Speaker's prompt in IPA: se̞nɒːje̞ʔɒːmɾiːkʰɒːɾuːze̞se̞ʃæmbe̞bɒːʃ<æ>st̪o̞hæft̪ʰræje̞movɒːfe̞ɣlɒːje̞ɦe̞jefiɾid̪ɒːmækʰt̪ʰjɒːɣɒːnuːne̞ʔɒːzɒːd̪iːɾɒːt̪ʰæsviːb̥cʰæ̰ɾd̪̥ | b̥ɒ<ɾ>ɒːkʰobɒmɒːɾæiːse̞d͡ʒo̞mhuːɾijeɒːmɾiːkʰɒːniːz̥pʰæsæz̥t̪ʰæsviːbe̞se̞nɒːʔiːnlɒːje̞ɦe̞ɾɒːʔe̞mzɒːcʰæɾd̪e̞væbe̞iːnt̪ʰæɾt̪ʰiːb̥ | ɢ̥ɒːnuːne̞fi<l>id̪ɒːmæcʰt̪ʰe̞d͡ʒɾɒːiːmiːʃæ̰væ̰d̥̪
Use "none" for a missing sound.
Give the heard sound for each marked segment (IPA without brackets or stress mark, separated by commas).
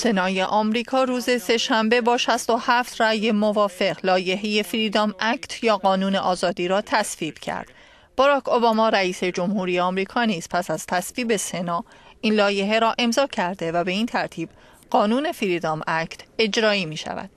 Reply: æ, ɾ, ɾ